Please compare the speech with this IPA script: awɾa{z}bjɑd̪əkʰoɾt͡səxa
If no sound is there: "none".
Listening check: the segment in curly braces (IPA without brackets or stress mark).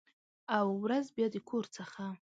z